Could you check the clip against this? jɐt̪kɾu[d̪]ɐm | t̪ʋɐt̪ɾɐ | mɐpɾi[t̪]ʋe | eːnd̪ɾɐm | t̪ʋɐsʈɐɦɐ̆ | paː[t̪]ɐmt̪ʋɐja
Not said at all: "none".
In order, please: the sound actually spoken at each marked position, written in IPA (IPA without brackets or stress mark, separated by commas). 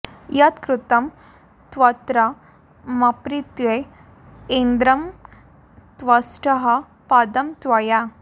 t̪, t̪, d̪